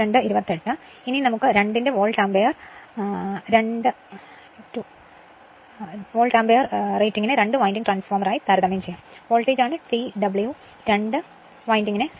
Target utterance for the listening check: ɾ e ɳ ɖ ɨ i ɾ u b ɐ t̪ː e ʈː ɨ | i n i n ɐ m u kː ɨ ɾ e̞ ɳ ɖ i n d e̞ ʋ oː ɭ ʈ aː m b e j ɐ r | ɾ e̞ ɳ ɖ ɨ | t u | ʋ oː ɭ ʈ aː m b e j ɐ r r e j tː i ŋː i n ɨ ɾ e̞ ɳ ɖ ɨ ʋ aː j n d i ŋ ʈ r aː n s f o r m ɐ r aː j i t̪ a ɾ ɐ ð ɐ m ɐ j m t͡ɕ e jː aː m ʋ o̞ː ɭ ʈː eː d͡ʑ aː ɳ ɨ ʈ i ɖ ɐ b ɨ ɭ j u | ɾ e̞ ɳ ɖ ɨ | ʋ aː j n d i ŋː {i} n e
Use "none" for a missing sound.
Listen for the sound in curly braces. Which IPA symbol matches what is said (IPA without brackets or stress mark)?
i